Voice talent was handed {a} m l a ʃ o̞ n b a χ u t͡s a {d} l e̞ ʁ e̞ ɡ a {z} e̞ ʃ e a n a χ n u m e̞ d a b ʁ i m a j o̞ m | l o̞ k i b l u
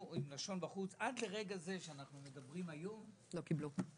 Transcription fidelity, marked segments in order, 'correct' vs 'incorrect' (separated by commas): incorrect, correct, correct